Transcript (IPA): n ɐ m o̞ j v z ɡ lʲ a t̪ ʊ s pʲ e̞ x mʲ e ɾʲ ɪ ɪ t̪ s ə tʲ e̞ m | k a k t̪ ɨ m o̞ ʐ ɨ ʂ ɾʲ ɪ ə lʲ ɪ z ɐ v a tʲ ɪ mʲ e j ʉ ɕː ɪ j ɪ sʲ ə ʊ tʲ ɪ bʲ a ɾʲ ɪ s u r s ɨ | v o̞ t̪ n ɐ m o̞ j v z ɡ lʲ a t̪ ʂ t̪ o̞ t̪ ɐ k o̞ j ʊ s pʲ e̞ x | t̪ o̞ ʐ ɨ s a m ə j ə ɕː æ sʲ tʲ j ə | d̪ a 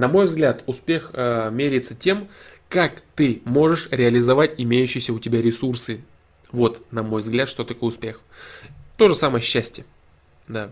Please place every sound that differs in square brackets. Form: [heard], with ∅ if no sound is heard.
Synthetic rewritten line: n ɐ m o̞ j v z ɡ lʲ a t̪ ʊ s pʲ e̞ x mʲ e ɾʲ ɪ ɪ t̪ s ə tʲ e̞ m | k a k t̪ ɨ m o̞ ʐ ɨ ʂ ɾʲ ɪ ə lʲ ɪ z ɐ v a tʲ ɪ mʲ e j ʉ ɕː ɪ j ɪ sʲ ə ʊ tʲ ɪ bʲ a ɾʲ ɪ s u r s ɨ | v o̞ t̪ n ɐ m o̞ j v z ɡ lʲ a t̪ ʂ t̪ o̞ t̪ ɐ k o̞ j ʊ s pʲ e̞ x | t̪ o̞ ʐ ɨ s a m ə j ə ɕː æ sʲ tʲ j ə | d̪ a